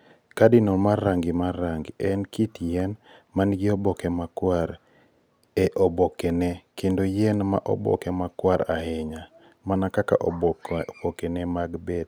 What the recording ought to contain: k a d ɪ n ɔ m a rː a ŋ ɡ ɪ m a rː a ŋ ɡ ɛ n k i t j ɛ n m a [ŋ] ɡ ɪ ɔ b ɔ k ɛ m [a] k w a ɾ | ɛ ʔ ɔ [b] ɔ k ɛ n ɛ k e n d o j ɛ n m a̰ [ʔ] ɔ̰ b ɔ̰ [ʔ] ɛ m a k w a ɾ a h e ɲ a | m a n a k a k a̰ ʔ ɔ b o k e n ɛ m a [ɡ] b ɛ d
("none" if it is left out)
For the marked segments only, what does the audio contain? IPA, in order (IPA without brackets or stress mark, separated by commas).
n, a, b, ʔ, k, ɡ